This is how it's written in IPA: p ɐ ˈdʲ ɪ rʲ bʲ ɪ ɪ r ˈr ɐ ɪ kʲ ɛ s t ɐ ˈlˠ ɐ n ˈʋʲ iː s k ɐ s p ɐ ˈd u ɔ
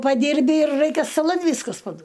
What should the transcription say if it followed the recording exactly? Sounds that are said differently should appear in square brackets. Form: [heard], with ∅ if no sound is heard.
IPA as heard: p ɐ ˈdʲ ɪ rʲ bʲ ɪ ɪ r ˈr ɐ ɪ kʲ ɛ s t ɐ ˈlˠ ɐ n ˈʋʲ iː s k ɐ s p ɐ ˈd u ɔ